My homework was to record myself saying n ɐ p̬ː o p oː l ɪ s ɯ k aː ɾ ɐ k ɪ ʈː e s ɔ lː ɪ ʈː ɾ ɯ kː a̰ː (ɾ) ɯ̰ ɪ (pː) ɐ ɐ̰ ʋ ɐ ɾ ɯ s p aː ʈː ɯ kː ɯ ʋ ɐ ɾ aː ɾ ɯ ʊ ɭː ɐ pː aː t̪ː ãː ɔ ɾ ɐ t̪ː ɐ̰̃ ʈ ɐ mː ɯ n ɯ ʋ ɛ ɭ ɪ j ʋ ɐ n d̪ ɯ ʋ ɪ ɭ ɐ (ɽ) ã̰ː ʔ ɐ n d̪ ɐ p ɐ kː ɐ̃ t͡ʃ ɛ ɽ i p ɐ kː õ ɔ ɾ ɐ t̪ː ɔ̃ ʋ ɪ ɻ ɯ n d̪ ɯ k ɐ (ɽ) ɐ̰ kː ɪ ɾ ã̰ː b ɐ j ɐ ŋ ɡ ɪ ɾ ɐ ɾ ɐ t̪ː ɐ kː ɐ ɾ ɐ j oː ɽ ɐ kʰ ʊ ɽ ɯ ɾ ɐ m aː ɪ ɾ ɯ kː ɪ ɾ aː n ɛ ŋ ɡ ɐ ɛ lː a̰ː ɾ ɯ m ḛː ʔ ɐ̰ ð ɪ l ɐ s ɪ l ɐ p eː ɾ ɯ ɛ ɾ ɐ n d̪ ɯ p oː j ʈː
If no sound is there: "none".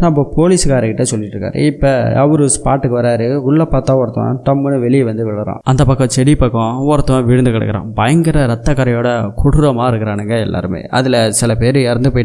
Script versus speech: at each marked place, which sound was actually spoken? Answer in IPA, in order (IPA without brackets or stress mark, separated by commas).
ɾ, pː, ɾ, ɽ